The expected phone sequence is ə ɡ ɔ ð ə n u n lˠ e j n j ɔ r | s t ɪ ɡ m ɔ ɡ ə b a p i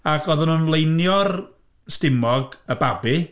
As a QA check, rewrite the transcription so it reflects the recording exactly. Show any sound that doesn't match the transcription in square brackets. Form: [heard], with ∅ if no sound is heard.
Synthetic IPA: [a] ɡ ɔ ð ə n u n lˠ e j n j ɔ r | s t ɪ [∅] m ɔ ɡ ə b a [b] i